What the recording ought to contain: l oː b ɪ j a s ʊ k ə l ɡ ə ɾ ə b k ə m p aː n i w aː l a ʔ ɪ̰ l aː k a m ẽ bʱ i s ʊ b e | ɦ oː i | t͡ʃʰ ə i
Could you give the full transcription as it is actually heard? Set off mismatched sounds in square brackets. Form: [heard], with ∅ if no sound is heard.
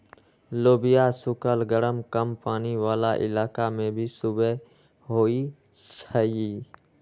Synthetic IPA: l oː b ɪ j a s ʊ k ə l ɡ ə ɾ ə [m] k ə m p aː n i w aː l a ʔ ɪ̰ l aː k a m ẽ bʱ i s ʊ b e | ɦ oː i | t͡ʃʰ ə i